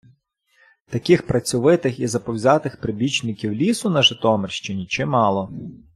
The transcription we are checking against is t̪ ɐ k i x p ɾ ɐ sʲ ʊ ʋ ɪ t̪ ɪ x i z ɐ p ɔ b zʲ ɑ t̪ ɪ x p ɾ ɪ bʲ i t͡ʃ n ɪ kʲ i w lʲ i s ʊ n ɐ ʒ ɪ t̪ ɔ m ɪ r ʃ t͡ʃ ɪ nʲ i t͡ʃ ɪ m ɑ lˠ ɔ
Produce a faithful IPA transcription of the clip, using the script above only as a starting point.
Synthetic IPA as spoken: t̪ ɐ k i x p ɾ ɐ t͡sʲ ʊ ʋ ɪ t̪ ɪ x i z ɐ p ɔ w zʲ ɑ t̪ ɪ x p ɾ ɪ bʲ i t͡ʃ n ɪ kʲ i w lʲ i s ʊ n ɐ ʒ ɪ t̪ ɔ m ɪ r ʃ t͡ʃ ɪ nʲ i t͡ʃ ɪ m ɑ lˠ ɔ